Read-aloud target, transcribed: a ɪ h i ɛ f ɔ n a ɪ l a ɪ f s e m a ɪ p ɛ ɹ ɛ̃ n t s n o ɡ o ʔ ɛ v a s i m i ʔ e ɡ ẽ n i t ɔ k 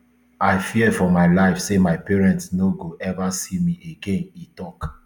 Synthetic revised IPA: a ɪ f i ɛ f ɔ m a ɪ l a ɪ f s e m a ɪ p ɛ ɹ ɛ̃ n t s n o ɡ o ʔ ɛ v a s i m i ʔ e ɡ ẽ n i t ɔ k